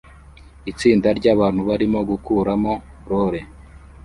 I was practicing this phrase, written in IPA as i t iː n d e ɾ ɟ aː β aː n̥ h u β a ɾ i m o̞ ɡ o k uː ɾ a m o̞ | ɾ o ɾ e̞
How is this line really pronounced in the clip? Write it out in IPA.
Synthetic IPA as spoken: i t͡s iː n d a ɾ ɟ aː β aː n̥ h u β a ɾ i m o̞ ɡ u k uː ɾ a m o̞ | ɾ o ɾ e̞